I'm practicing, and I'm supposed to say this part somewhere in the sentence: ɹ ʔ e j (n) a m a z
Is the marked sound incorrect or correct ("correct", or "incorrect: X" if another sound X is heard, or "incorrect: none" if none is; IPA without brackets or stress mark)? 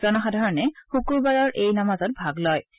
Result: correct